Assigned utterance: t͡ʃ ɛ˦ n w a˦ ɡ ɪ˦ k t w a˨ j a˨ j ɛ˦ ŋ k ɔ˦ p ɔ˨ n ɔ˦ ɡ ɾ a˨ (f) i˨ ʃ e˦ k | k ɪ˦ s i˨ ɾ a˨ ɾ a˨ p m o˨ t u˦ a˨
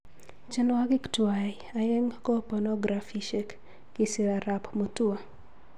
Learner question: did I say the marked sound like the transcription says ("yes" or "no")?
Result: yes